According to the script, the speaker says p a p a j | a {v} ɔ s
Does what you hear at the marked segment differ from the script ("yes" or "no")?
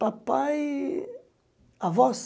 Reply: no